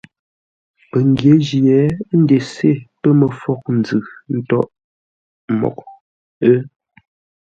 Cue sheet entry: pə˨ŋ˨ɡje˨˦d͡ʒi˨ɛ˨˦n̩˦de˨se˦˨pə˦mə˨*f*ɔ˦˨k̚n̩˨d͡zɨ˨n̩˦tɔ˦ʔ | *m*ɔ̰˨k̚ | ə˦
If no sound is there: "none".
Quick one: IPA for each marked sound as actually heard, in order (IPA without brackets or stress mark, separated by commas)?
f, m